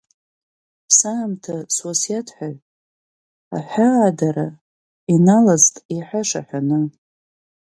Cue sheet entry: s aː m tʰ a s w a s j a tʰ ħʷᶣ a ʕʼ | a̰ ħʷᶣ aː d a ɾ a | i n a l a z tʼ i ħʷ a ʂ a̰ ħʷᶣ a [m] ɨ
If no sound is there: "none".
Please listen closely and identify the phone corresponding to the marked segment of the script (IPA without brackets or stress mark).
n